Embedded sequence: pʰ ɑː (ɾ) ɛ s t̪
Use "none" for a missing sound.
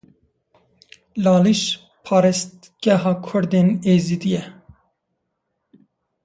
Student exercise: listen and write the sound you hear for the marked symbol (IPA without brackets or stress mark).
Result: ɾ